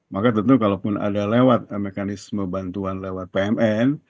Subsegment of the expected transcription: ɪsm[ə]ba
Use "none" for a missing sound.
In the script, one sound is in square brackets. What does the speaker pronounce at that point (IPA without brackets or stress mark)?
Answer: ə